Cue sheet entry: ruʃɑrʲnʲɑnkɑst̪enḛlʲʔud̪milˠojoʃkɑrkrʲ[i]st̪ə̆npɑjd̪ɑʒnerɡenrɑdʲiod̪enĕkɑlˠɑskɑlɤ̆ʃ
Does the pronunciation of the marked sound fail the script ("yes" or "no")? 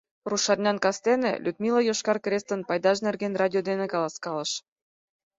yes